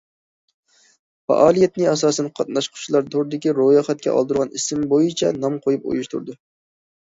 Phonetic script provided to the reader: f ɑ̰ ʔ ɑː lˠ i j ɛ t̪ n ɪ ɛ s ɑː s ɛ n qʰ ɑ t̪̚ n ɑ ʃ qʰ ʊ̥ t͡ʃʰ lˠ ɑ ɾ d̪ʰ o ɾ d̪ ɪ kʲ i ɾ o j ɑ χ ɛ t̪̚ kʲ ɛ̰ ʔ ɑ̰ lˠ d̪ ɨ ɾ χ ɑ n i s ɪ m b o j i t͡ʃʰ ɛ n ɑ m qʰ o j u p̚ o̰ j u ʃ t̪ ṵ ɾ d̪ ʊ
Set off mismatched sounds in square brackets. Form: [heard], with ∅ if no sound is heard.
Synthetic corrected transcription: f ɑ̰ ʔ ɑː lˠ i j ɛ t̪ n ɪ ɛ s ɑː s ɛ n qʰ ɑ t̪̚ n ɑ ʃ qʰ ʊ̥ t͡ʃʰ lˠ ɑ ɾ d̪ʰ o ɾ d̪ ɪ kʲ i ɾ o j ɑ χ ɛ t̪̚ kʲ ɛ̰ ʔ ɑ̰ lˠ d̪ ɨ ɾ [ʁ] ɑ n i s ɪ m b o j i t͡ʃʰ ɛ n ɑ m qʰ o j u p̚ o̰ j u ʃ t̪ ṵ ɾ d̪ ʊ